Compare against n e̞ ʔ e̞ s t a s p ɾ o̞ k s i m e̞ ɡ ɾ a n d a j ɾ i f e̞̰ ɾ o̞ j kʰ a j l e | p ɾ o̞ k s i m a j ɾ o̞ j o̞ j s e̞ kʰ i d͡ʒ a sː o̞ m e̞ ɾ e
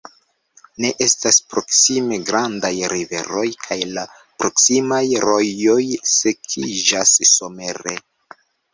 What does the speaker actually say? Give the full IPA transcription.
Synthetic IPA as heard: n e̞ ʔ e̞ s t a s p ɾ o̞ k s i m e̞ ɡ ɾ a n d a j ɾ i v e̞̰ ɾ o̞ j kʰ a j l a | p ɾ o̞ k s i m a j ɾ o̞ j o̞ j s e̞ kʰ i d͡ʒ a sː o̞ m e̞ ɾ e

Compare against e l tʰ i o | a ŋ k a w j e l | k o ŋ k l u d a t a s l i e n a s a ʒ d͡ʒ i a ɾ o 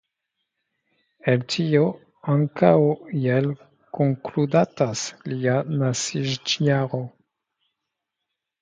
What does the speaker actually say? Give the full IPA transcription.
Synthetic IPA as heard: e l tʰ i o | a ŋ k a w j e l | k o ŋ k l u d a t a s l i a n a s i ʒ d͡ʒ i a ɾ o

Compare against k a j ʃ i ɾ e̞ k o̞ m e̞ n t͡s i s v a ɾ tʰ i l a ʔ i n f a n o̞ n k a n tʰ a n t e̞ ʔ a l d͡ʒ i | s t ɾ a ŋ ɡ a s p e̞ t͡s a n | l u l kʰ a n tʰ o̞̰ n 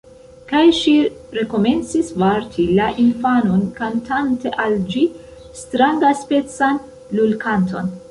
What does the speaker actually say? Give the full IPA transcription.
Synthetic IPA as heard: k a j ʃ i ɾ e̞ k o̞ m e̞ n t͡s i s v a ɾ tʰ i l a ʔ i n f a n o̞ n k a n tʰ a n t e̞ ʔ a l d͡ʒ i | s t ɾ a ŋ ɡ a s p e̞ t͡s a n | l u l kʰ a n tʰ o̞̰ n

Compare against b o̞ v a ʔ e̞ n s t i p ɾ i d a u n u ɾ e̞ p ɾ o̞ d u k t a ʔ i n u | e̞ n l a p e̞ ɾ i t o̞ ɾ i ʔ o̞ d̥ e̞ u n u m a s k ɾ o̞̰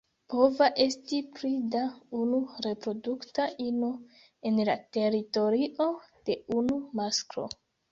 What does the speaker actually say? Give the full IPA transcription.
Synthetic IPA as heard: p o̞ v a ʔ e̞ s t i p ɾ i d a u n u ɾ e̞ p ɾ o̞ d u k t a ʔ i n o | e̞ n l a t e̞ ɾ i t o̞ ɾ i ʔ o̞ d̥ e̞ u n u m a s k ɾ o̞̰

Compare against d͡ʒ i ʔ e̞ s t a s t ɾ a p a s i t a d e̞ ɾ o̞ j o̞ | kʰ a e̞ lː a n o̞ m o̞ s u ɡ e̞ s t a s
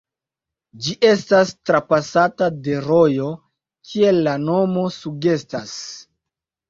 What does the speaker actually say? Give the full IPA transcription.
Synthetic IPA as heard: d͡ʒ i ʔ e̞ s t a s t ɾ a p a s a t a d e̞ ɾ o̞ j o̞ | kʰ i e̞ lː a n o̞ m o̞ s u ɡ e̞ s t a s

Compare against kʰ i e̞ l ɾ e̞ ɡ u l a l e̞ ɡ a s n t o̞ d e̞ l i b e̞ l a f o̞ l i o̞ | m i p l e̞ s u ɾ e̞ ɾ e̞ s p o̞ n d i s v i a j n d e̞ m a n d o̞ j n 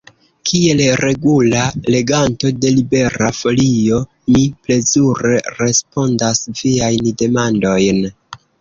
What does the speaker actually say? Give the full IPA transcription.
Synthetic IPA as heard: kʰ i e̞ l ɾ e̞ ɡ u l a l e̞ ɡ a n t o̞ d e̞ l i b e̞ ɾ a f o̞ l i o̞ | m i p l e̞ z u ɾ e̞ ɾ e̞ s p o̞ n d a s v i a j n d e̞ m a n d o̞ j n

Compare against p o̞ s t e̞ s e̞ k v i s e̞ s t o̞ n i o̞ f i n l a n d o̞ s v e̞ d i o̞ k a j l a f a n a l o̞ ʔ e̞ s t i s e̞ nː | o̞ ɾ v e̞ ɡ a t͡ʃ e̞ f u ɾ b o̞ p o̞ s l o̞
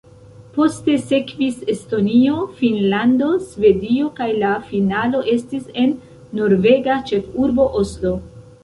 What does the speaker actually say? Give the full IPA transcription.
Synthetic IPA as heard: p o̞ s t e̞ s e̞ k v i s e̞ s t o̞ n i o̞ f i n l a n d o̞ s v e̞ d i o̞ k a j l a f i n a l o̞ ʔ e̞ s t i s e̞ nː | o̞ ɾ v e̞ ɡ a t͡ʃ e̞ f u ɾ b o̞ ʔ o̞ s l o̞

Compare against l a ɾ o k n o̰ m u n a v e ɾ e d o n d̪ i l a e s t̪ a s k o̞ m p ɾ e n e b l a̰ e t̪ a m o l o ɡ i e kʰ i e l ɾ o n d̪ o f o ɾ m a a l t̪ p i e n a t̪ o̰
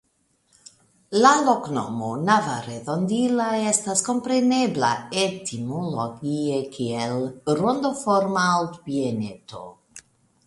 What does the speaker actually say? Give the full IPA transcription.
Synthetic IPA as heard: l a l o k n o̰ m o n a v a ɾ e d o n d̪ i l a e s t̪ a s k o̞ m p ɾ e n e b l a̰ e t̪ i m o l o ɡ i e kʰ i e l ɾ o n d̪ o f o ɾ m a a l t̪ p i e n e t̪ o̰

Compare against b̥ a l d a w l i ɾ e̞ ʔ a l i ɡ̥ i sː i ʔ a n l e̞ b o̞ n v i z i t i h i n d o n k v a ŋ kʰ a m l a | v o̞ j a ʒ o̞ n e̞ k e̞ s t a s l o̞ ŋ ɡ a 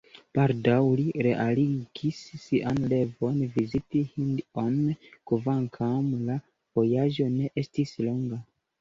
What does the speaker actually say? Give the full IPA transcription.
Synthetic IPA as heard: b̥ a l d a w l i ɾ e̞ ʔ a l i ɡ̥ i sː i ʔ a n l e̞ v o̞ n v i z i t i h i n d o n k v a ŋ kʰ a m l a | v o̞ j a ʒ o̞ n e̞ ʔ e̞ s t i s l o̞ ŋ ɡ a

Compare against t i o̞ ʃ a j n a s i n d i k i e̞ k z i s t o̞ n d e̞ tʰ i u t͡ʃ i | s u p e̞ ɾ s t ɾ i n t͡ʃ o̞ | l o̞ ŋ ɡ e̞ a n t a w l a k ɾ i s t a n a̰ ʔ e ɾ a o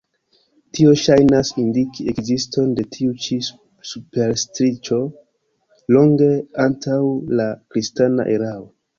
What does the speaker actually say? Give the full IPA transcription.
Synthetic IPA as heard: t i o̞ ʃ a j n a s i n d i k i e̞ k z i s t o̞ n d e̞ tʰ i u t͡ʃ i | s u p e̞ ɾ s t ɾ i t͡ʃ o̞ | l o̞ ŋ ɡ e̞ a n t a w l a k ɾ i s t a n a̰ ʔ e ɾ a o

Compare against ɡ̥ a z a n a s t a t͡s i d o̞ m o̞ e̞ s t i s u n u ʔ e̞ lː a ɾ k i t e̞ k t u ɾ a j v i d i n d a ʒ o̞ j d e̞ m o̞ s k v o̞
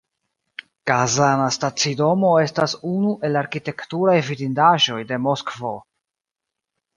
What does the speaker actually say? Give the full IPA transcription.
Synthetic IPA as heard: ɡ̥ a z a n a s t a t͡s i d o̞ m o̞ e̞ s t a s u n u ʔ e̞ l a ɾ k i t e̞ k t u ɾ a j v i d i n d a ʒ o̞ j d e̞ m o̞ s k v o̞

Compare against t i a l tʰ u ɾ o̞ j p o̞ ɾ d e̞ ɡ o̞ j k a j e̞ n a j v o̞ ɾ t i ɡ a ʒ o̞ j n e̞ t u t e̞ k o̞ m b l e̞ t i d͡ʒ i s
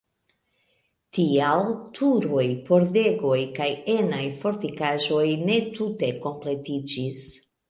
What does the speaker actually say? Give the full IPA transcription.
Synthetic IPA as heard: t i a l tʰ u ɾ o̞ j p o̞ ɾ d e̞ ɡ o̞ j k a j e̞ n a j f o̞ ɾ t i k a ʒ o̞ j n e̞ t u t e̞ k o̞ m p l e̞ t i d͡ʒ i s

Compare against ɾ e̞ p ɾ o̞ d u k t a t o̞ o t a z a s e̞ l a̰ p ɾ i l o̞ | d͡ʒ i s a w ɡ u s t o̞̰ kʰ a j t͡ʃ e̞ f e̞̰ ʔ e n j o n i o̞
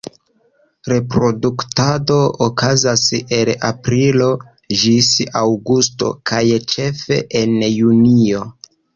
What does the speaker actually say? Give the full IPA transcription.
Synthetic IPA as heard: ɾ e̞ p ɾ o̞ d u k t a d o̞ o k a z a s e̞ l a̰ p ɾ i l o̞ | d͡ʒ i s a w ɡ u s t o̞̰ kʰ a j t͡ʃ e̞ f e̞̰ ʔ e n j u n i o̞

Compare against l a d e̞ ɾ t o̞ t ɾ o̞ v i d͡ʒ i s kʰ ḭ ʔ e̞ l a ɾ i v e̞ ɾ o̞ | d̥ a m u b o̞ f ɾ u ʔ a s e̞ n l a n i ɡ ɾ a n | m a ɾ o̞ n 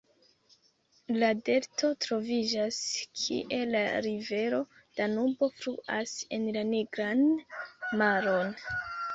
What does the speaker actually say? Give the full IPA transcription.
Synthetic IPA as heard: l a d e̞ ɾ t o̞ t ɾ o̞ v i d͡ʒ a s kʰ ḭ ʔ e̞ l a ɾ i v e̞ ɾ o̞ | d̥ a n u b o̞ f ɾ u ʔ a s e̞ n l a n i ɡ ɾ a n | m a ɾ o̞ n

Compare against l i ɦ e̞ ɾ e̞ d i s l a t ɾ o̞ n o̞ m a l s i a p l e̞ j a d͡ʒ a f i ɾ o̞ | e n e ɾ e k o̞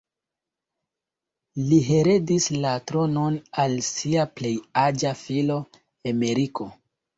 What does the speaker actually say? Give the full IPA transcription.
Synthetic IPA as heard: l i ɦ e̞ ɾ e̞ d i s l a t ɾ o̞ n o̞ n a l s i a p l e̞ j a d͡ʒ a f i l o̞ | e m e ɾ i k o̞

